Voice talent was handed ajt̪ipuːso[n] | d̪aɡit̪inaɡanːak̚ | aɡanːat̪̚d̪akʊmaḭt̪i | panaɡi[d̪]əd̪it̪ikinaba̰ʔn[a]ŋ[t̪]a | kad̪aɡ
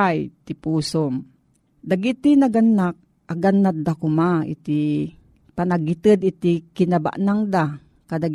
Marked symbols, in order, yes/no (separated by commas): no, no, yes, no